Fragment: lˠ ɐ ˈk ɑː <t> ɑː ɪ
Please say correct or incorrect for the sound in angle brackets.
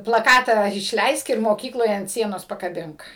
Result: correct